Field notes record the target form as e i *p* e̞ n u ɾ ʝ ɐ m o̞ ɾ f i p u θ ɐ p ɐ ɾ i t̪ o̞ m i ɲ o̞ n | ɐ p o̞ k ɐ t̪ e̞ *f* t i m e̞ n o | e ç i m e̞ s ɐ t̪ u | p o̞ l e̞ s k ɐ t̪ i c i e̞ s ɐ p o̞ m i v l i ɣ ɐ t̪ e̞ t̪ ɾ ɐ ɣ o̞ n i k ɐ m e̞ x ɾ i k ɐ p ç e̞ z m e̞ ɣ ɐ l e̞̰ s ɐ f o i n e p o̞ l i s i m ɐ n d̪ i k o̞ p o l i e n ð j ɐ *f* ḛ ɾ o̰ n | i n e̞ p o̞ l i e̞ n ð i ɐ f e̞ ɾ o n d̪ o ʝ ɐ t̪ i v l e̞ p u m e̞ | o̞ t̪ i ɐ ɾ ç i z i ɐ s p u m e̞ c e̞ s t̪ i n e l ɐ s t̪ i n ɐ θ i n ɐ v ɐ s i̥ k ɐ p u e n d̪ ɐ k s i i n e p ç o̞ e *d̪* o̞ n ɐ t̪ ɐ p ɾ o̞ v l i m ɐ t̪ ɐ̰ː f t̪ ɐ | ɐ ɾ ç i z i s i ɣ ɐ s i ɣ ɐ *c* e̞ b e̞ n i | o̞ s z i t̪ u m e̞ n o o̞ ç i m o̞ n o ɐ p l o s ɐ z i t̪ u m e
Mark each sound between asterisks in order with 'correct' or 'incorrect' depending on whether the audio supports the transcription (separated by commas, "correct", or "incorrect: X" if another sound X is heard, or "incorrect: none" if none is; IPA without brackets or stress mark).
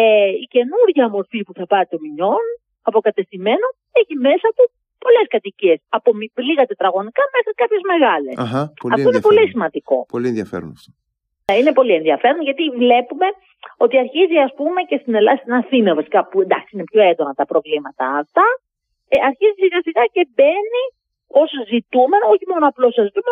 incorrect: c, incorrect: s, correct, correct, correct